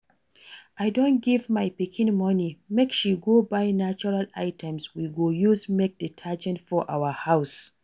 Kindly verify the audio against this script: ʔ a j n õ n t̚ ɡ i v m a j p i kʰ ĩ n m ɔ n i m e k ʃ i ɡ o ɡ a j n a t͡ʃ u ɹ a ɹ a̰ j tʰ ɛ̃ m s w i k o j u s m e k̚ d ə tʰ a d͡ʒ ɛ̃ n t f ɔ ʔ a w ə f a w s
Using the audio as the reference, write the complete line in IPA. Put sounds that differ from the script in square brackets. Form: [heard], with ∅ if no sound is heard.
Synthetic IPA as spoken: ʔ a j [d] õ n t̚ ɡ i v m a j p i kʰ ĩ n m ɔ n i m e k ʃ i ɡ o [b] a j n a t͡ʃ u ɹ a [l] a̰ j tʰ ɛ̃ m s w i [ɡ] o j u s m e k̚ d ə tʰ a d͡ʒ ɛ̃ n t f ɔ ʔ a w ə [h] a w s